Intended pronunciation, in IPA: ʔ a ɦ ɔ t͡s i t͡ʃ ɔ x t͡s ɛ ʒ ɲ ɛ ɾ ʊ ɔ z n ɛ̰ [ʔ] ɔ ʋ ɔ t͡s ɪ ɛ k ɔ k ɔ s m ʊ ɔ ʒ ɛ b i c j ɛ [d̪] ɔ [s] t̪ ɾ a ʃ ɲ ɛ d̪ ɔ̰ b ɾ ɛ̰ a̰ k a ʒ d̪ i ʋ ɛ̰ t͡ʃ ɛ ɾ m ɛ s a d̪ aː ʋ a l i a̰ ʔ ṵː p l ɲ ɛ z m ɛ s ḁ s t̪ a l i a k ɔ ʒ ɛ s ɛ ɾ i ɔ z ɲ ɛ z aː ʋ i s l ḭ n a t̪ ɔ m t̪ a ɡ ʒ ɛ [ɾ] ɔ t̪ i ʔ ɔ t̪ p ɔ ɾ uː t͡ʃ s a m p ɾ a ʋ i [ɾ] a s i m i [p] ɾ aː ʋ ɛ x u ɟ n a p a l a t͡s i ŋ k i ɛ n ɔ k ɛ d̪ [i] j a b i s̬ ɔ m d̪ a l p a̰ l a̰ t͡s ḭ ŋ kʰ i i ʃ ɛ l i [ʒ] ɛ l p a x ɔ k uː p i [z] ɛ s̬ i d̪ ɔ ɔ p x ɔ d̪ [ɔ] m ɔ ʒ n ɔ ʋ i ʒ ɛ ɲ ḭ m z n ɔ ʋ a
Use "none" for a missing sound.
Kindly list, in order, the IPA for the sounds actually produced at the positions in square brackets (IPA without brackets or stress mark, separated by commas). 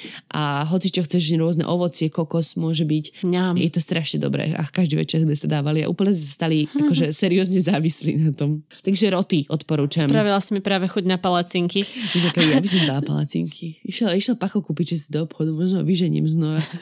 ʔ, t̪, s, ɾ, l, p, i, ʃ, ʒ, u